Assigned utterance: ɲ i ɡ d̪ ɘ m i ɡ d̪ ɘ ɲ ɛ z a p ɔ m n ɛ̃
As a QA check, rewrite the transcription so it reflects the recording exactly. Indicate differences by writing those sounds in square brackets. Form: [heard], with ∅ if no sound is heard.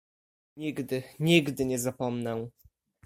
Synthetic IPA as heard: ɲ i ɡ d̪ ɘ [ɲ] i ɡ d̪ ɘ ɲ ɛ z a p ɔ m n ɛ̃